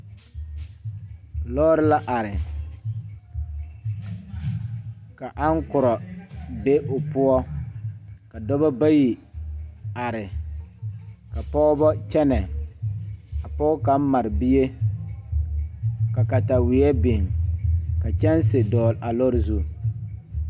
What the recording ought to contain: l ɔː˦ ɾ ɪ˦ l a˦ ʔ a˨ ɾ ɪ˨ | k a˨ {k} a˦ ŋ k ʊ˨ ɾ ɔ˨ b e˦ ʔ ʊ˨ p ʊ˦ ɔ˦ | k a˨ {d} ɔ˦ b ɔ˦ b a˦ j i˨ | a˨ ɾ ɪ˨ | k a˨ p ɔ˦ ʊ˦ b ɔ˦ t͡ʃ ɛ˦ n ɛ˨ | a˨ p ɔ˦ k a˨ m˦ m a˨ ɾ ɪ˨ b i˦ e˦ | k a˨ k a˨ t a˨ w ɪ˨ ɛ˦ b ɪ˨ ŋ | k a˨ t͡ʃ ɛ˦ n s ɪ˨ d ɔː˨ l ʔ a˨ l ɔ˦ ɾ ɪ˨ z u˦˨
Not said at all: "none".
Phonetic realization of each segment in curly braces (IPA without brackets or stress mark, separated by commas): ʔ, d